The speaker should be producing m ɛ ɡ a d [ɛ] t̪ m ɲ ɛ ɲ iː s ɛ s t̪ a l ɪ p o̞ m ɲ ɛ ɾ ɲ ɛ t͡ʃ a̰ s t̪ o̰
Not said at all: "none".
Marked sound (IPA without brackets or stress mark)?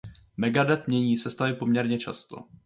ɛ